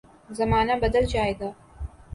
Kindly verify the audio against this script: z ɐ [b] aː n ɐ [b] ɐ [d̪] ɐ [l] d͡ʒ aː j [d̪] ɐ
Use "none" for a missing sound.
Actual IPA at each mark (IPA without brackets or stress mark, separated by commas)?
m, b, d̪, l, d̪